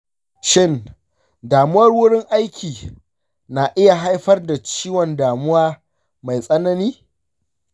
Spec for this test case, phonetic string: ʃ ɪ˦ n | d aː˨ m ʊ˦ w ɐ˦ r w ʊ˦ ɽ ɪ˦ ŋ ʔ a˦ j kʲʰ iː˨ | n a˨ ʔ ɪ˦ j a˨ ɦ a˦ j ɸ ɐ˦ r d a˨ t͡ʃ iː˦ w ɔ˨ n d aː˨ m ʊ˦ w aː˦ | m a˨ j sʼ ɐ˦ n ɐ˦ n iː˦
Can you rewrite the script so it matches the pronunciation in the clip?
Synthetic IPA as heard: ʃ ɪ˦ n | d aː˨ m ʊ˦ w ɐ˦ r w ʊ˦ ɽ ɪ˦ ŋ ʔ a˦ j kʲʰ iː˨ | n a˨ ʔ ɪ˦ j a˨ ɦ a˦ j ɸ ɐ˦ r d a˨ t͡ʃ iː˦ w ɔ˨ n d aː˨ m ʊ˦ w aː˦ | m a˨ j sʼ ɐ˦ n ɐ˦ n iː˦